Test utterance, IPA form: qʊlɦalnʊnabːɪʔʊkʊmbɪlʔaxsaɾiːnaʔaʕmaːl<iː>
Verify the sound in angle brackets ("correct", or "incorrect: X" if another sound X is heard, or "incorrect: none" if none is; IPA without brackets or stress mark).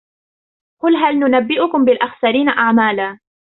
incorrect: aː